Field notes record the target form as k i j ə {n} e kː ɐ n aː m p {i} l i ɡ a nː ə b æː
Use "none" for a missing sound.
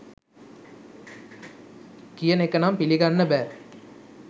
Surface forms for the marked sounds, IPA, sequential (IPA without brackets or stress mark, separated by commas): n, i